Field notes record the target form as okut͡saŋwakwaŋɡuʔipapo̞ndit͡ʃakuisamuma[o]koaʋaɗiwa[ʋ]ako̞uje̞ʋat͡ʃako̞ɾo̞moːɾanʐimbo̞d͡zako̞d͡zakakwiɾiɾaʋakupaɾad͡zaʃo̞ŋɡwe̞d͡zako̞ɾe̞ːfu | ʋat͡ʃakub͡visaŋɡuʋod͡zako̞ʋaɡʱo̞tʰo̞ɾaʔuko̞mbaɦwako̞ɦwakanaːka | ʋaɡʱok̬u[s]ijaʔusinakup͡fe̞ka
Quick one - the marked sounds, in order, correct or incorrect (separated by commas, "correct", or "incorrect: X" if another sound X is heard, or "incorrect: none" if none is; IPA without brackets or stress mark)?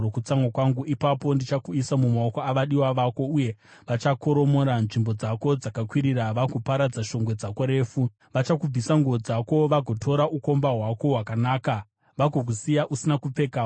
correct, correct, correct